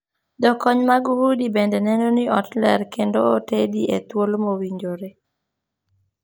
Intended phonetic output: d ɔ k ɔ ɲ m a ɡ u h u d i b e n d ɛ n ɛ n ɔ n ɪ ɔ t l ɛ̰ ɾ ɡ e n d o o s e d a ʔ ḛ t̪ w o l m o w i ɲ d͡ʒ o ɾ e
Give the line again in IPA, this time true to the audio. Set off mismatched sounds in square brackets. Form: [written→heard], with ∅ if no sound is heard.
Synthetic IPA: d ɔ k ɔ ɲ m a ɡ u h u d i b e n d ɛ n ɛ n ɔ n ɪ ɔ t l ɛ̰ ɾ [ɡ→k] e n d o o [s→t] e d [a→i] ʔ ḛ t̪ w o l m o w i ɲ d͡ʒ o ɾ e